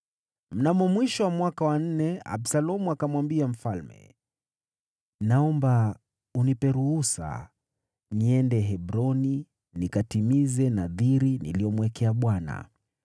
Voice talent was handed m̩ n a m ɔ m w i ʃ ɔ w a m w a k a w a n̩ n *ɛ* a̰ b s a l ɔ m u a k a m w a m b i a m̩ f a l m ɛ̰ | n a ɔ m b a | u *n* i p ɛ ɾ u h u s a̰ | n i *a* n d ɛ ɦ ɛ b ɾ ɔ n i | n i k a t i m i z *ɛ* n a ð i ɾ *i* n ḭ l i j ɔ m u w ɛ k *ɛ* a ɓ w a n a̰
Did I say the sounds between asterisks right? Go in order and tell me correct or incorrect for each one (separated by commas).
correct, correct, incorrect, correct, correct, correct